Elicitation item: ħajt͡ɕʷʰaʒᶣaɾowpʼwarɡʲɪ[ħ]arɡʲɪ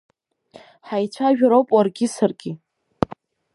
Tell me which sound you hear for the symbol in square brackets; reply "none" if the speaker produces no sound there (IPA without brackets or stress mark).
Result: s